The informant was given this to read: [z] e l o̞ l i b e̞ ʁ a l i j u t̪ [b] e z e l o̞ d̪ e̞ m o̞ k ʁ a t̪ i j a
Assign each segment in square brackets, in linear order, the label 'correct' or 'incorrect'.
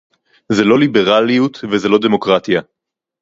correct, incorrect

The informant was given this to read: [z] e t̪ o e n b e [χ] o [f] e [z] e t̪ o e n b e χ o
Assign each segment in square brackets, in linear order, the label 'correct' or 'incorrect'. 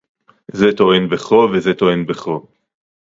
correct, correct, incorrect, correct

